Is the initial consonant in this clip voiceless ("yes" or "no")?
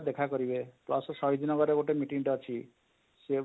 no